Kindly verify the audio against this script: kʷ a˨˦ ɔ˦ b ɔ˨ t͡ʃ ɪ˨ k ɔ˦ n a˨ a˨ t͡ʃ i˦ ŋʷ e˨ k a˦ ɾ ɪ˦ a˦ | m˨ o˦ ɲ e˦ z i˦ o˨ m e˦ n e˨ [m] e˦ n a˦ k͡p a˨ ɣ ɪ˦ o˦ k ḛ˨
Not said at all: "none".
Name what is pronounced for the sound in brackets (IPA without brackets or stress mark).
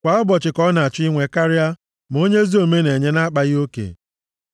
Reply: ɲ